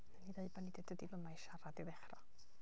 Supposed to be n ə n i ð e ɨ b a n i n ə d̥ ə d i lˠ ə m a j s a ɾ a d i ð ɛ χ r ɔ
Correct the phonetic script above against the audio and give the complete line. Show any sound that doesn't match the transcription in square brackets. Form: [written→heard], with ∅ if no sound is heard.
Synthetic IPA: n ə n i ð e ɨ b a n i [n→d] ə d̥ ə d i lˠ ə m a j [s→ʃ] a ɾ a d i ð ɛ χ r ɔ